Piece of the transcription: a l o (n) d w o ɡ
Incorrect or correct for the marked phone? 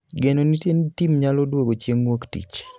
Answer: incorrect: none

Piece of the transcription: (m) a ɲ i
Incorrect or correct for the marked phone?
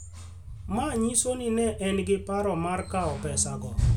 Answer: correct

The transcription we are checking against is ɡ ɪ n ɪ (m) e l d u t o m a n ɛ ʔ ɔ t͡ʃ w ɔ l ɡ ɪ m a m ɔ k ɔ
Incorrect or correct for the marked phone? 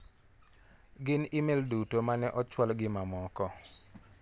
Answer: correct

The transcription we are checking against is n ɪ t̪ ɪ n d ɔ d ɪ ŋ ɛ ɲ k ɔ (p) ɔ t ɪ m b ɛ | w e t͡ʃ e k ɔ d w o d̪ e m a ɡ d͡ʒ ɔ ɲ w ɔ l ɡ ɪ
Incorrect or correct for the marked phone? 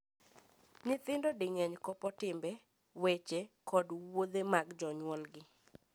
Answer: correct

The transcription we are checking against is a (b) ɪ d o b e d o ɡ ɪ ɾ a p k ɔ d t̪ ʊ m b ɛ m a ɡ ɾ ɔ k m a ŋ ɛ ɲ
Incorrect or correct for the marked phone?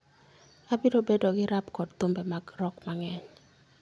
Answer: correct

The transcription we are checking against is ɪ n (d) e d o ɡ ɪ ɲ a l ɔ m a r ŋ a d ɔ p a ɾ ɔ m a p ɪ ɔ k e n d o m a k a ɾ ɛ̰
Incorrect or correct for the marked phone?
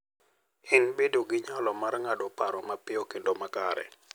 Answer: incorrect: b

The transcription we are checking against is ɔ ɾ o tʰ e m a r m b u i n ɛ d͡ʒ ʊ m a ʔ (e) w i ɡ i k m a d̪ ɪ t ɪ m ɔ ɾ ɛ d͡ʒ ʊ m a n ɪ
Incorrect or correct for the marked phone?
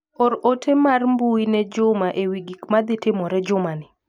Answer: correct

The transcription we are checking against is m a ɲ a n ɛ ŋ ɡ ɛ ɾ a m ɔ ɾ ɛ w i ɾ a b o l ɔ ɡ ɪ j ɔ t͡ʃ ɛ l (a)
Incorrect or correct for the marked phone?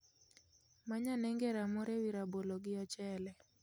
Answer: incorrect: ɛ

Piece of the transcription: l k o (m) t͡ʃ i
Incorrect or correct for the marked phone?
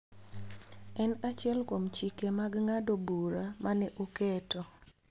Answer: correct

